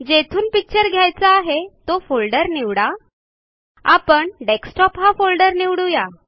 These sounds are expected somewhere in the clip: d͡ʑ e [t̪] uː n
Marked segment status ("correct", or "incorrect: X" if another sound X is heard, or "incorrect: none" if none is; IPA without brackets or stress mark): incorrect: t̪ʰ